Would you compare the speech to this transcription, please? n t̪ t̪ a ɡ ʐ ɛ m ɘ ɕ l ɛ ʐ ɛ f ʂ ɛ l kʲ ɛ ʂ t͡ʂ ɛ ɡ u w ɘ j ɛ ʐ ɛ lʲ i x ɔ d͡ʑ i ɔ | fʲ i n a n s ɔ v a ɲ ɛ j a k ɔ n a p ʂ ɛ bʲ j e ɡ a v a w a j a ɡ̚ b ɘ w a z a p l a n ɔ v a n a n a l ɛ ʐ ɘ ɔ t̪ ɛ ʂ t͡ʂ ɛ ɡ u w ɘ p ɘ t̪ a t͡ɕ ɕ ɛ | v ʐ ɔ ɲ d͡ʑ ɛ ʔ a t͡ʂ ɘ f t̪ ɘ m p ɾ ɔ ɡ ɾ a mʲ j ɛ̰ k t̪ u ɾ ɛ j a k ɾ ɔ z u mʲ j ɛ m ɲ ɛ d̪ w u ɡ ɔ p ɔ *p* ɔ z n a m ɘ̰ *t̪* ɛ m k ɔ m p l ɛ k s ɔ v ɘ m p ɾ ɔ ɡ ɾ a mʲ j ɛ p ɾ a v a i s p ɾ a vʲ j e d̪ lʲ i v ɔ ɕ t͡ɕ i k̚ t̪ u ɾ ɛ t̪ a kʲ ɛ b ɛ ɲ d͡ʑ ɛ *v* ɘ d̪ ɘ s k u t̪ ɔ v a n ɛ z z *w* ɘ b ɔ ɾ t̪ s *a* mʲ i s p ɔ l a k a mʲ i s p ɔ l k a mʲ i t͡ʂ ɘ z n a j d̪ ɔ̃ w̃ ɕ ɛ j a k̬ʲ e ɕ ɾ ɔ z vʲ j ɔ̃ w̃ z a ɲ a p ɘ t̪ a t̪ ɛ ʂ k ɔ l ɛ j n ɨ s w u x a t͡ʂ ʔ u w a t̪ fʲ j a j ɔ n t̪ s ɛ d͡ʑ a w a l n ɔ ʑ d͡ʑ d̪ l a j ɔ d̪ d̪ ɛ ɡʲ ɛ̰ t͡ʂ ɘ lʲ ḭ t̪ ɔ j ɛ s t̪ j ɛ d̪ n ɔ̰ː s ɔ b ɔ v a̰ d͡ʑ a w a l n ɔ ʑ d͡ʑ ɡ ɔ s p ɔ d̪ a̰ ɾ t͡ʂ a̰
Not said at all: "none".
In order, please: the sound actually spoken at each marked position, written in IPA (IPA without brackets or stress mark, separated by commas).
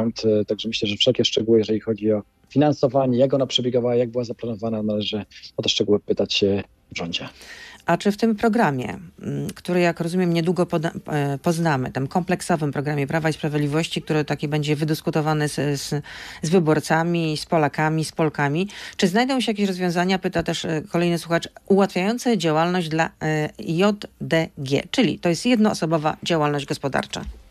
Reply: p, t̪, v, v, a